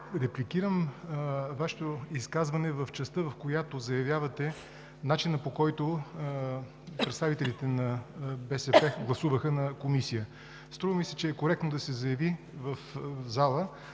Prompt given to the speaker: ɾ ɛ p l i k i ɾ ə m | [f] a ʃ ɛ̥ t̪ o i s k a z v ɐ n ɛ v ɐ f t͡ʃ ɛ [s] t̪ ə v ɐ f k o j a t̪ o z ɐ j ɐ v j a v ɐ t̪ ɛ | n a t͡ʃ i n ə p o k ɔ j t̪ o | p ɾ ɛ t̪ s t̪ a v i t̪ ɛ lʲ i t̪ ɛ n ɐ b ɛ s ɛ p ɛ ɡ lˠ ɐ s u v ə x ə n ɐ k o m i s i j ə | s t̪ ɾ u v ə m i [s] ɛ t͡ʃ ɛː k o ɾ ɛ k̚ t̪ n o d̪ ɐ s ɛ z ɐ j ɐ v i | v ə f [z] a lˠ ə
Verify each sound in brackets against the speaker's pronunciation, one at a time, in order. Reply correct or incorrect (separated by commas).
incorrect, correct, correct, correct